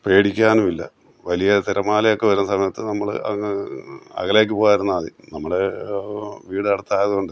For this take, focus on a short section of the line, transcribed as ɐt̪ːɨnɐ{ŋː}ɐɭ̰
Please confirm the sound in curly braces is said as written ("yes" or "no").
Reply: no